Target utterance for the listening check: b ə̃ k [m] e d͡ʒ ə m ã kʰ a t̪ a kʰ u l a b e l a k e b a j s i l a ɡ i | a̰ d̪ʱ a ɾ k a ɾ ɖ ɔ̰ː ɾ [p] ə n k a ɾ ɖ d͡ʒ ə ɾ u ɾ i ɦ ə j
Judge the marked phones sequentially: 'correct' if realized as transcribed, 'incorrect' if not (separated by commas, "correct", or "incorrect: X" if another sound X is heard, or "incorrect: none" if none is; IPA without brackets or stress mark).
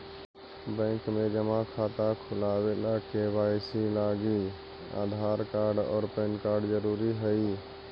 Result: correct, correct